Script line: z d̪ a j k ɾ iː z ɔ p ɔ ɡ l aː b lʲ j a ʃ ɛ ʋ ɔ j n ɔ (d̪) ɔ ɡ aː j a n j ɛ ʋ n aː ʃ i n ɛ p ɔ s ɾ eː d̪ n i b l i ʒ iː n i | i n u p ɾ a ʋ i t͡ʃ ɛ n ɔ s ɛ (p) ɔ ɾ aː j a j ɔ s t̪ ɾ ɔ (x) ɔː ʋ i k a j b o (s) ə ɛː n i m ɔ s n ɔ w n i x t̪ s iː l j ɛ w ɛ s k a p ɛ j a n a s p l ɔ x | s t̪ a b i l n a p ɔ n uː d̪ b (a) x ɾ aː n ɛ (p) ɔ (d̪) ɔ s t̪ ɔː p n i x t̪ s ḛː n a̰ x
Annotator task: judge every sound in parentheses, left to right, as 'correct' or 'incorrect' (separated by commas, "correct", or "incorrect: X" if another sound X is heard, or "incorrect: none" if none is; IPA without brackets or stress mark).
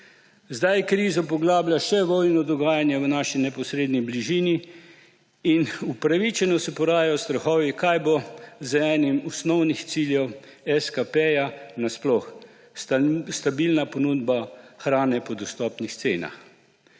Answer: correct, correct, correct, incorrect: z, correct, correct, correct